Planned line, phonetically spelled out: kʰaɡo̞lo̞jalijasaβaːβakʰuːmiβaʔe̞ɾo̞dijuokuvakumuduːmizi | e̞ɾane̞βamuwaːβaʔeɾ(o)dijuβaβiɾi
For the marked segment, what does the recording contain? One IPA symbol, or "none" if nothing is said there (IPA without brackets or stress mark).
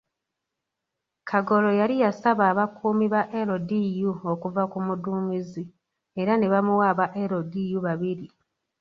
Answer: o